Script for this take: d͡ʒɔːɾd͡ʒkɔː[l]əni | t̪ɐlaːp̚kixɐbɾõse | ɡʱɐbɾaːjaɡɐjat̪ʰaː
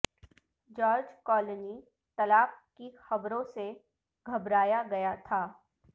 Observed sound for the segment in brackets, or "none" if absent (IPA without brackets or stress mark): l